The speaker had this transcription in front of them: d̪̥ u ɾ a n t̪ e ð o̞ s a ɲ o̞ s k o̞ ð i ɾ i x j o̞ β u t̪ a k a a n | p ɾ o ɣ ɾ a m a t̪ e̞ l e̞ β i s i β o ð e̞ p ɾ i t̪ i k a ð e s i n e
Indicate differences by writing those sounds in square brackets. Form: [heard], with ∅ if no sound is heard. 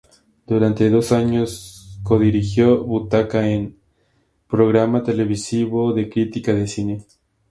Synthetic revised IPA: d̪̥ u ɾ a n t̪ e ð o̞ s a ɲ o̞ s k o̞ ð i ɾ i x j o̞ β u t̪ a k a [e] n | p ɾ o ɣ ɾ a m a t̪ e̞ l e̞ β i s i β o ð e̞ [k] ɾ i t̪ i k a ð e s i n e